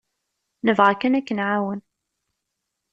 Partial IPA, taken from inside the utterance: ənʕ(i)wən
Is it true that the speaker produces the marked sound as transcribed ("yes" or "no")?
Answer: no